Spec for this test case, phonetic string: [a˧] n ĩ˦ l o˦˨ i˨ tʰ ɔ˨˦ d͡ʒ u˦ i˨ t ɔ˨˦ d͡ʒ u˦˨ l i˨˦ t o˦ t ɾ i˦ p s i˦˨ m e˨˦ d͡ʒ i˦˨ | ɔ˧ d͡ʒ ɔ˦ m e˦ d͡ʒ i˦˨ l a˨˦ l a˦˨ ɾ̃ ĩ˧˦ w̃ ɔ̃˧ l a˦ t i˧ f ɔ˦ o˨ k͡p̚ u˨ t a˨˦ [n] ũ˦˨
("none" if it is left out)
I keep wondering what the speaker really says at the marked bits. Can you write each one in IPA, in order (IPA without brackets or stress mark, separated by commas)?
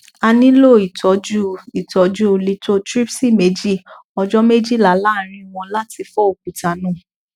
a˧, n